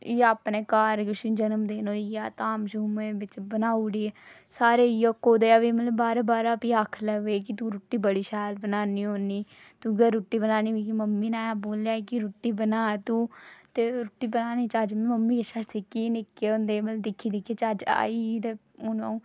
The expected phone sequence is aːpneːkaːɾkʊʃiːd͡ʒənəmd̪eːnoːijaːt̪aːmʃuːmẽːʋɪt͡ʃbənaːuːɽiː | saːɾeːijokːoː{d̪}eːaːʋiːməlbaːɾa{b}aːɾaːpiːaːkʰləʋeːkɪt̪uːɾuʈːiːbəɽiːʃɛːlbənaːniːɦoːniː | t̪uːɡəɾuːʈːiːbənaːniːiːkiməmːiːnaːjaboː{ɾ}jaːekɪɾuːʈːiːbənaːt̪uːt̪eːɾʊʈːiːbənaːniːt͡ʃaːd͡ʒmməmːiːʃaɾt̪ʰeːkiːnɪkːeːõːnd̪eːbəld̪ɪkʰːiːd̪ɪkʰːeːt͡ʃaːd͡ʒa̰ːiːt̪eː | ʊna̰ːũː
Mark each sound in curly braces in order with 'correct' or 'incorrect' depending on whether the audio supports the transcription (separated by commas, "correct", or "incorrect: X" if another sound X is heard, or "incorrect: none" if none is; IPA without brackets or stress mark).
correct, correct, incorrect: l